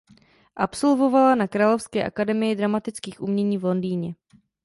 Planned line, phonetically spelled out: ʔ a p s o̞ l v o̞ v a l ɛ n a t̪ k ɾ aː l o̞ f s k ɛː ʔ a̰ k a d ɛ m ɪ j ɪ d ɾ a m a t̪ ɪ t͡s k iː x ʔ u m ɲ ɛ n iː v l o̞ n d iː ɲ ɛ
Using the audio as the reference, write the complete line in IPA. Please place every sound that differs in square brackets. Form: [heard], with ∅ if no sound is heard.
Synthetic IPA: ʔ a p s o̞ l v o̞ v a l [a] n a [∅] k ɾ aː l o̞ f s k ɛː ʔ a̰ k a d ɛ m ɪ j ɪ d ɾ a m a t̪ ɪ t͡s k iː x ʔ u m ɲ ɛ [ɲ] iː v l o̞ n d iː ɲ ɛ